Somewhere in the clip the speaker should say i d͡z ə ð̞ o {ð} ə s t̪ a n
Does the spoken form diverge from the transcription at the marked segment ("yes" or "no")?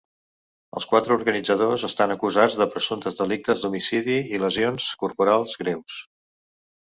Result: yes